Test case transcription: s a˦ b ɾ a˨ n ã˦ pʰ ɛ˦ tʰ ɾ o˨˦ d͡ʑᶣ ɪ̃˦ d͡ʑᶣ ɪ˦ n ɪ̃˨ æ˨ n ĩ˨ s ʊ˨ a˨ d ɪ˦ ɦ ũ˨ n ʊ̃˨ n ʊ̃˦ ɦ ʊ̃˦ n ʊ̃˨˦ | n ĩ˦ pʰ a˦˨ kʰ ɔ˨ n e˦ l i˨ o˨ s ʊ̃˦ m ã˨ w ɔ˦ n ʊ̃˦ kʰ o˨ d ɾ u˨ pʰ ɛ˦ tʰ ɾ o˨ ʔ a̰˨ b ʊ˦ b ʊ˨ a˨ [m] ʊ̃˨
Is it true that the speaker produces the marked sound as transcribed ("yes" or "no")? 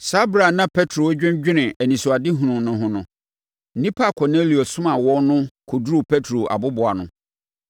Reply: no